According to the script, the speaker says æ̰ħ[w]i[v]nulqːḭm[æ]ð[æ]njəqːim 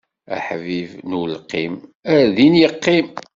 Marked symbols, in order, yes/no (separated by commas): no, yes, yes, no